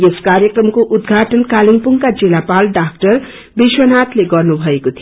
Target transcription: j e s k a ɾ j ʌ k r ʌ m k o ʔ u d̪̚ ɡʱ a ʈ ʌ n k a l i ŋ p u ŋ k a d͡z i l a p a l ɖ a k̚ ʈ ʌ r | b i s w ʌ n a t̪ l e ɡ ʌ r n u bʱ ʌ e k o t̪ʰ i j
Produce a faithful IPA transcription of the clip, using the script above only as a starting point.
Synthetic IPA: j e s k a ɾ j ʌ k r ʌ m k o ʔ u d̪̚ ɡʱ a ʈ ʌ n k a l i ŋ p u ŋ k a d͡z i l a p a l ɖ a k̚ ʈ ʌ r | b i s w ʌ n a t̪ l e ɡ ʌ r n u bʱ ʌ e k o t̪ʰ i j